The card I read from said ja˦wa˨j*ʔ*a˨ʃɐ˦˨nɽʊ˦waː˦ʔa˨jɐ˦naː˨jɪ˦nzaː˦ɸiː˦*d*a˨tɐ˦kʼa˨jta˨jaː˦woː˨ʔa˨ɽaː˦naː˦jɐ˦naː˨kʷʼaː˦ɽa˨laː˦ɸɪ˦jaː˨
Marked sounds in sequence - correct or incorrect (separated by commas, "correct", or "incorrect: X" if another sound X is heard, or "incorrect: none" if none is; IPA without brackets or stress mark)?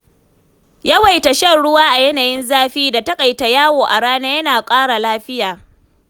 incorrect: t, correct